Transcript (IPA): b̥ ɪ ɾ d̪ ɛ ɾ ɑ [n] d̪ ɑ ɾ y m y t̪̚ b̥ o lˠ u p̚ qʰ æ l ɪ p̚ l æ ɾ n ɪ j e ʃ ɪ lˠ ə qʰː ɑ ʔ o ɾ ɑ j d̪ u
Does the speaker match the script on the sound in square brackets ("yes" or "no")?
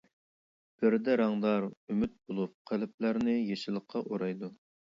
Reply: no